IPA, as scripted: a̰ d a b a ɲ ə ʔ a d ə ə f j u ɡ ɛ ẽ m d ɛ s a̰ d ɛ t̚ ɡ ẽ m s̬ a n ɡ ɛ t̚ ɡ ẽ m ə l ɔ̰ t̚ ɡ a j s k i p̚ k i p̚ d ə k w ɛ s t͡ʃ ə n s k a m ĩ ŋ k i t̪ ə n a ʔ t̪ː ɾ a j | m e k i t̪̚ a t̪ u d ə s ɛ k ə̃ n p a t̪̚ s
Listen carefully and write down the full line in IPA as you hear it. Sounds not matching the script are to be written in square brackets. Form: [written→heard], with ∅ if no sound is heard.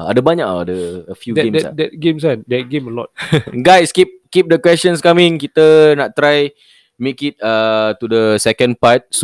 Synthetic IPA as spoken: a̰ d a b a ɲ [ə→a] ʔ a d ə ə f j u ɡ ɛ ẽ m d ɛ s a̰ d ɛ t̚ ɡ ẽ m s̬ a n [ɡ→d] ɛ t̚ ɡ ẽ m ə l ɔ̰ t̚ ɡ a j s k i p̚ k i p̚ d ə k w ɛ s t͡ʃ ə n s k a m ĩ ŋ k i t̪ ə n a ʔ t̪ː ɾ a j | m e k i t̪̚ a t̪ u d ə s ɛ k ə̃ n p a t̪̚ s